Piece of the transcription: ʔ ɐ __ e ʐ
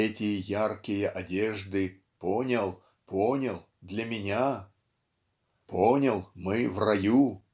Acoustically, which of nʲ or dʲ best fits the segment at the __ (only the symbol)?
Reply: dʲ